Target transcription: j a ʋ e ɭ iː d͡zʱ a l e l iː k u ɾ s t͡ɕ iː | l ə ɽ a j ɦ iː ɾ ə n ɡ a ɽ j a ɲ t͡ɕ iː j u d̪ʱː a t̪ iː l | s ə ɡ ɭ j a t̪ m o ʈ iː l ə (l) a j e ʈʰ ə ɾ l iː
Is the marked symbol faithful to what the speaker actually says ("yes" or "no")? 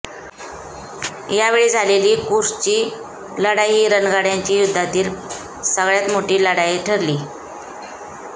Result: no